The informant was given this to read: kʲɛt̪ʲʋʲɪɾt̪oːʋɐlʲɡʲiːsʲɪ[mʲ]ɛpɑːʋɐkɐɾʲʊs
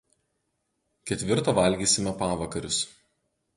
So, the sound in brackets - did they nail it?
yes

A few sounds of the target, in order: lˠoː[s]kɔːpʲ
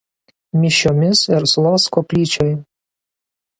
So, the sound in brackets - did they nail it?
yes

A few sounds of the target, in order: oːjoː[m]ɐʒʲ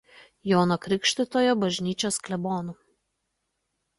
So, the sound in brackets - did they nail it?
no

